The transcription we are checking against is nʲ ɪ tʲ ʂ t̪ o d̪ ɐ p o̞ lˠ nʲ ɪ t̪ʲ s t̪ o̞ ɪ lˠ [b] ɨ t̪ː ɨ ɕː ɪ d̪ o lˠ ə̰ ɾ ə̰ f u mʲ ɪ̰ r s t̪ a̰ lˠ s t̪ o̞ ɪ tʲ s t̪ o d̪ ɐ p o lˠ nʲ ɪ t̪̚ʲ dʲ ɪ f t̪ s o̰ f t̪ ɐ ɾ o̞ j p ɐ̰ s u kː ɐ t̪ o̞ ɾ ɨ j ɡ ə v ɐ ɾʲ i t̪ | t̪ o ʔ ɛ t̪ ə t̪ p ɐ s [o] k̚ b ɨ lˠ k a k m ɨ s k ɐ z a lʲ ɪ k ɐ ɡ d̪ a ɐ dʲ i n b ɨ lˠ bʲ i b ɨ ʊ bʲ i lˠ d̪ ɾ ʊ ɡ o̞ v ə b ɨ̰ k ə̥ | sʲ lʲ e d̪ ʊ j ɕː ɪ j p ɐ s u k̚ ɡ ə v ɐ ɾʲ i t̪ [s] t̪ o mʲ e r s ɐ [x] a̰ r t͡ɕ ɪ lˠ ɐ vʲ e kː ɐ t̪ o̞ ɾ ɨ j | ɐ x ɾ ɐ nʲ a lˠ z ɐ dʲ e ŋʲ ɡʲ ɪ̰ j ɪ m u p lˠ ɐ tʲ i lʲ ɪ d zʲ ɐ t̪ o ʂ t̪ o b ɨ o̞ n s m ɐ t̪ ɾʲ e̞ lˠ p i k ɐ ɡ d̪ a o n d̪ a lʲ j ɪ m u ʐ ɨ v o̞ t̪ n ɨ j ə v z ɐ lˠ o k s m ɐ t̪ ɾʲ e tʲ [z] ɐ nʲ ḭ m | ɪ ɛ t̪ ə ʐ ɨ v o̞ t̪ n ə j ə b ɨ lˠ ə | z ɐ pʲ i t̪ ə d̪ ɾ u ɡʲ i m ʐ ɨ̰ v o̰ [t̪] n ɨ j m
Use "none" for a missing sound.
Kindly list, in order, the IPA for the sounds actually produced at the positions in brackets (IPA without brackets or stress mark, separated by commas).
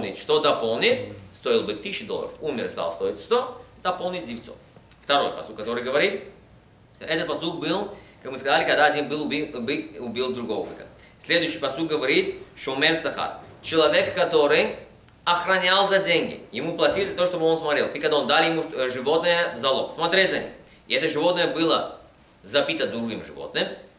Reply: b, u, ʂ, x, z, t̪